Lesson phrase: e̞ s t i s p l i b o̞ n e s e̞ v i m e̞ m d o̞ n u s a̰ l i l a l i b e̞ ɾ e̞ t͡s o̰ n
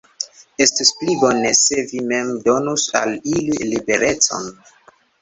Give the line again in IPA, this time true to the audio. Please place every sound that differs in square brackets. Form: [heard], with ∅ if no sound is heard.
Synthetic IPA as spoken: e̞ s t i s p l i b o̞ n e s e̞ v i m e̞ m d o̞ n u s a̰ l i l [i] l i b e̞ ɾ e̞ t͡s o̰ n